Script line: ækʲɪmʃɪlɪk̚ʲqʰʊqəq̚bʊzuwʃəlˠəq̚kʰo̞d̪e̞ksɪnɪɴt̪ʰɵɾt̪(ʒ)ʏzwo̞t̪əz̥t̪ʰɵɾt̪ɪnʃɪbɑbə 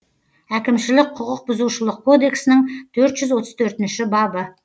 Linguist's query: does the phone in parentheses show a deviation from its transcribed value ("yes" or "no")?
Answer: no